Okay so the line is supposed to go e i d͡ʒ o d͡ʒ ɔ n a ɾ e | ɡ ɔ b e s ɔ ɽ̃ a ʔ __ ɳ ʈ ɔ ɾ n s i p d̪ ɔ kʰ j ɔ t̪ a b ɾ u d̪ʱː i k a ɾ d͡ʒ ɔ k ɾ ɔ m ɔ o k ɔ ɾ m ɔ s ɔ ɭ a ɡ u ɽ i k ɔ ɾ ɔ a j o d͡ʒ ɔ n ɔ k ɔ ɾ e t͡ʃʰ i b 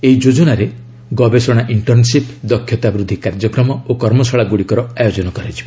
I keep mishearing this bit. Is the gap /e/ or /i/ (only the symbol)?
i